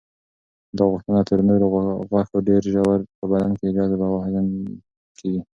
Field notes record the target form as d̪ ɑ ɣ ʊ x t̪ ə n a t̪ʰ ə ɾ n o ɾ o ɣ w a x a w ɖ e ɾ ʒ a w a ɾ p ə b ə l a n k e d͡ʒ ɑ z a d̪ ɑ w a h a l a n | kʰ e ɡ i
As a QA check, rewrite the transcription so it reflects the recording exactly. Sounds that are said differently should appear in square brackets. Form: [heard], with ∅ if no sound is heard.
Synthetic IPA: d̪ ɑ ɣ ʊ x t̪ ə n a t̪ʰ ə ɾ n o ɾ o ɣ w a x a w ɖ e ɾ ʒ a w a ɾ p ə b [a] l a n k e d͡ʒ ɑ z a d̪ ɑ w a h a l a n | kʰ e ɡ i